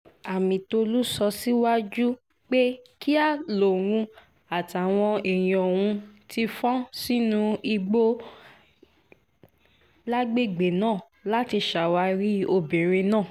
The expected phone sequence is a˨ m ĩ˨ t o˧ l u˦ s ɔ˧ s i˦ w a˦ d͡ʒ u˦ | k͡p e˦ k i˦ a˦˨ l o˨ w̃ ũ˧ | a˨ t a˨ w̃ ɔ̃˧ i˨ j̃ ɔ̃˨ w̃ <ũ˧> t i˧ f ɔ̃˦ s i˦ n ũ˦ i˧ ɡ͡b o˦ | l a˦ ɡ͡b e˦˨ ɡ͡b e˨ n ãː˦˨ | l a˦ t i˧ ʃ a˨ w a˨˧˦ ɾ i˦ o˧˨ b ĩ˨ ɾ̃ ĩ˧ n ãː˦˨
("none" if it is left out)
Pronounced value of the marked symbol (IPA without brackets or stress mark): ũ˧